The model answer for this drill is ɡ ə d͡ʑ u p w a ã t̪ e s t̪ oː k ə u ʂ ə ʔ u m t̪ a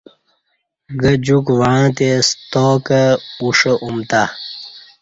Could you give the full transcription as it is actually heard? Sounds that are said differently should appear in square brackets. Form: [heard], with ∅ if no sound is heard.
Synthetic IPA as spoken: ɡ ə d͡ʑ u [k] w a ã t̪ e s t̪ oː k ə u ʂ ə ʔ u m t̪ a